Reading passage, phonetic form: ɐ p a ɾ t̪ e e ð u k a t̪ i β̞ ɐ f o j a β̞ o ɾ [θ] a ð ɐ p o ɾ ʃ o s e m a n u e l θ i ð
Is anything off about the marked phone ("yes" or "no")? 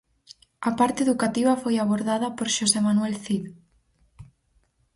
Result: yes